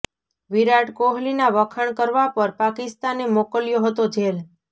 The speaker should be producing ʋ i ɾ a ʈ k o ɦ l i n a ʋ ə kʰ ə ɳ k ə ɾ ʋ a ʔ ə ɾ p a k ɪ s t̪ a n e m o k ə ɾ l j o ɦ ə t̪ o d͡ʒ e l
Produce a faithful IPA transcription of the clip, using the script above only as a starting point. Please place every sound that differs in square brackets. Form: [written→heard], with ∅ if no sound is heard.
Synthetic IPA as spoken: ʋ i ɾ a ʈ k o ɦ l i n a ʋ ə kʰ ə ɳ k ə ɾ ʋ a [ʔ→p] ə ɾ p a k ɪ s t̪ a n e m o k ə [ɾ→∅] l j o ɦ ə t̪ o d͡ʒ e l